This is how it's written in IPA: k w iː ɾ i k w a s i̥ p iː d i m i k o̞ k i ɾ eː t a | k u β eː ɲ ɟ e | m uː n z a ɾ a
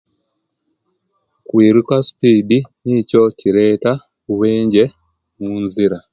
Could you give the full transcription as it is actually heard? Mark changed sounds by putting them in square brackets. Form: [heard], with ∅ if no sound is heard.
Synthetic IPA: k w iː ɾ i k w a s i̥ p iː d i [n] i [c] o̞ [c] i ɾ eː t a | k u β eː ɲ ɟ e | m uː n z [i] ɾ a